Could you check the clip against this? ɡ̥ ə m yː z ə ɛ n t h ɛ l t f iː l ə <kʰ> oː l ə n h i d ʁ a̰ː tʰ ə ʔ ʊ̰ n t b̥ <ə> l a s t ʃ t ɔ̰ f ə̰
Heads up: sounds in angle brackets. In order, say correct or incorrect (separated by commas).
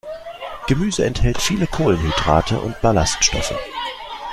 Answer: correct, incorrect